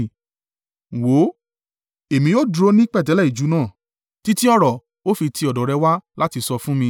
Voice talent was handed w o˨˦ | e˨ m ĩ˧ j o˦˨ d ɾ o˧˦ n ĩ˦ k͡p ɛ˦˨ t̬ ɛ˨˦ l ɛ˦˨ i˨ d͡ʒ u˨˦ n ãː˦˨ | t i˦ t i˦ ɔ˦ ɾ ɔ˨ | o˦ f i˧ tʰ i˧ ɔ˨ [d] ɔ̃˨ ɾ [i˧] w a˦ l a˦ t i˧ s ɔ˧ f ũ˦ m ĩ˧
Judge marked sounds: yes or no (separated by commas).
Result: yes, no